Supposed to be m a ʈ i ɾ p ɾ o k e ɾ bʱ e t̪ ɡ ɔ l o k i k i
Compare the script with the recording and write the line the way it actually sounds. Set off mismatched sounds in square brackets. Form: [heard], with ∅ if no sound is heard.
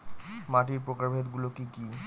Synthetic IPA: m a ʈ i ɾ p ɾ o k [a] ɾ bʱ e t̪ ɡ [u] l o k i k i